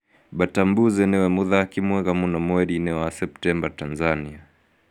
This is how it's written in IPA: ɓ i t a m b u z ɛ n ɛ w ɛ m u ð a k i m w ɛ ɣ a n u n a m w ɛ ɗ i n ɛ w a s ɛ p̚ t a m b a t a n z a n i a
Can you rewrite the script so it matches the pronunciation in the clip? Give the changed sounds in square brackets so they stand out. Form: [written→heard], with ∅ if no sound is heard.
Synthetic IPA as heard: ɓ [i→a] t a m b u z ɛ n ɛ w ɛ m u ð a k i m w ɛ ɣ a [n→m] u n a m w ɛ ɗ i n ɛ w a s ɛ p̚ t [a→ɛ] m b a t a n z a n i a